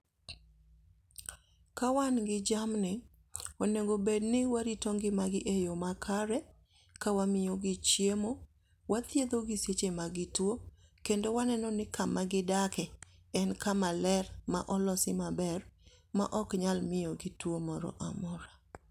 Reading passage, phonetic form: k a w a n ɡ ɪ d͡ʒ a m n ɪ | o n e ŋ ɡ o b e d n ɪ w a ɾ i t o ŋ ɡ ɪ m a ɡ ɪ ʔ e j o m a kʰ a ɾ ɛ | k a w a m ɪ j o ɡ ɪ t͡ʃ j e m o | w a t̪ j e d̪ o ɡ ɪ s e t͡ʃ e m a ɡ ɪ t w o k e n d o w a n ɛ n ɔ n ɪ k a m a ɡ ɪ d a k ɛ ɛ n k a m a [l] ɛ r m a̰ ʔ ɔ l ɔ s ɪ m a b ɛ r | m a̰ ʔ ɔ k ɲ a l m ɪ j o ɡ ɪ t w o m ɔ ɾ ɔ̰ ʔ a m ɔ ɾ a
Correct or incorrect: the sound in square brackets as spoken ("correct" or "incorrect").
correct